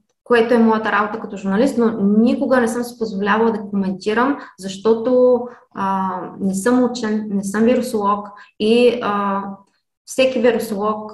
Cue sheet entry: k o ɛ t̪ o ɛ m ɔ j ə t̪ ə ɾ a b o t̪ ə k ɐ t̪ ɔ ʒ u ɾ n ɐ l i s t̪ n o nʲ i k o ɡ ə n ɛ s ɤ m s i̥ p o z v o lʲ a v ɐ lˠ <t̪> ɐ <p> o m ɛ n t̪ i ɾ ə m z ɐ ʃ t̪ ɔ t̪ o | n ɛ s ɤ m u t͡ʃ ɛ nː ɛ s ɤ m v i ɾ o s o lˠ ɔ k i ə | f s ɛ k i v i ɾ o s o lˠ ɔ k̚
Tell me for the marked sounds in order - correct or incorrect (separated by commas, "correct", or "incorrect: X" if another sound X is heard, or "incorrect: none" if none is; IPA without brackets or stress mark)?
incorrect: d̪, incorrect: k